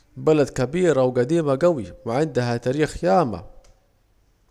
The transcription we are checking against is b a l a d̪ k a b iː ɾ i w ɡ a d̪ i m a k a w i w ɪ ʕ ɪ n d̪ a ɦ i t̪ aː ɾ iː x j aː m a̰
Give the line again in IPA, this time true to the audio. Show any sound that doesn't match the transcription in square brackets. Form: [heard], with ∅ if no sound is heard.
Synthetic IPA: b a l a d̪ k a b iː ɾ [a] w ɡ a d̪ [iː] m a [ɡ] a w i w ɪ ʕ ɪ n d̪ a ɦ [a] t̪ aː ɾ iː x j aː m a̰